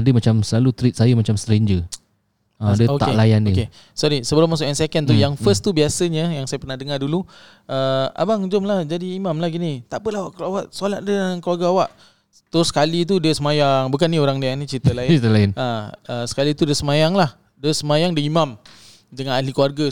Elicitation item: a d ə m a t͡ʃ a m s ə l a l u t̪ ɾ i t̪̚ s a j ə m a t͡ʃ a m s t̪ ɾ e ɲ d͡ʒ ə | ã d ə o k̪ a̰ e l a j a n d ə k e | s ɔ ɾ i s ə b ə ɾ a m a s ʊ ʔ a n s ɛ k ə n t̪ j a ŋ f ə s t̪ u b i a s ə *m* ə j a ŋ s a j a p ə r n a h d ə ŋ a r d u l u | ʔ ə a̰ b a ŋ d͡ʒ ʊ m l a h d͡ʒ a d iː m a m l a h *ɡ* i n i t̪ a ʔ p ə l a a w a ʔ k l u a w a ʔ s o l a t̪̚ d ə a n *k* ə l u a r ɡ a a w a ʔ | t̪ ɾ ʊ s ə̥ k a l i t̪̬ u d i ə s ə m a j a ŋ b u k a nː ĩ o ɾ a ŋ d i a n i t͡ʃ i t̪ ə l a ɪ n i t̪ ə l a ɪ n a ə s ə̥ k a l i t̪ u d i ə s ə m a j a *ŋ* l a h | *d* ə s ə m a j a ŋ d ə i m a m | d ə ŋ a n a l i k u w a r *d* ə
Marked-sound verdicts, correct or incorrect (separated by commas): incorrect, correct, correct, correct, correct, incorrect